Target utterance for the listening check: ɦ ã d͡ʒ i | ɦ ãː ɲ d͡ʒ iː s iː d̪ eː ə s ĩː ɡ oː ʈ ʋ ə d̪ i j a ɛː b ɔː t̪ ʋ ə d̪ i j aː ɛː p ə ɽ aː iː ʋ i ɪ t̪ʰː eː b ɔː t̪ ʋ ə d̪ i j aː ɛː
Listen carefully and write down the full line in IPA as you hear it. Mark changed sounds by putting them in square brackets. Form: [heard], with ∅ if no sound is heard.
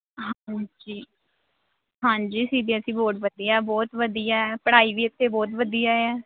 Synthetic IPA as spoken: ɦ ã d͡ʒ [iː] | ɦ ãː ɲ d͡ʒ iː s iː d̪ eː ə s ĩː [b] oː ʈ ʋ ə d̪ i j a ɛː b ɔː t̪ ʋ ə d̪ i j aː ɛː p ə ɽ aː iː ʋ [iː] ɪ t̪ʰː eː b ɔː t̪ ʋ ə d̪ i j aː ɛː